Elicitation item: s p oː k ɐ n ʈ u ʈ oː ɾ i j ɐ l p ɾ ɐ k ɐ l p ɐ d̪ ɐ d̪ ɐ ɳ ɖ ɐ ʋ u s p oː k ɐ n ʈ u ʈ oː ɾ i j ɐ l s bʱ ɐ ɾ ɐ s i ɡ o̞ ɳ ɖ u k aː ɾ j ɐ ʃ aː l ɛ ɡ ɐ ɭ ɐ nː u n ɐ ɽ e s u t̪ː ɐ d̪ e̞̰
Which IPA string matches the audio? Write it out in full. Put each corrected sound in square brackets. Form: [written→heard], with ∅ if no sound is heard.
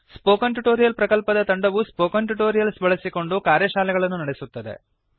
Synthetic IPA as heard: s p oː k ɐ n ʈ u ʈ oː ɾ i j ɐ l p ɾ ɐ k ɐ l p ɐ d̪ ɐ [d̪→t̪] ɐ ɳ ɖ ɐ ʋ u s p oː k ɐ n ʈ u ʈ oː ɾ i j ɐ l s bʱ ɐ [ɾ→ɭ] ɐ s i [ɡ→k] o̞ ɳ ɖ u k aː ɾ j ɐ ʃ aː l ɛ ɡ ɐ ɭ ɐ nː u n ɐ ɽ e s u t̪ː ɐ d̪ e̞̰